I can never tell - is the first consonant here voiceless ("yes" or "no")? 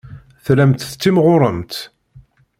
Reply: yes